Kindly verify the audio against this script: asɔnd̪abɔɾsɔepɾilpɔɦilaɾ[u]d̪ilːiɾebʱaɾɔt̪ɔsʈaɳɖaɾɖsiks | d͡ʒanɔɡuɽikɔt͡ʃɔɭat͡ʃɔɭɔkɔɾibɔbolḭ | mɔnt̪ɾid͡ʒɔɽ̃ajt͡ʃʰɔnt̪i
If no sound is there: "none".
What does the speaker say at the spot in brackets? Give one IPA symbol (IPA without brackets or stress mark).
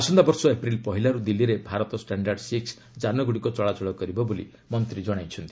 u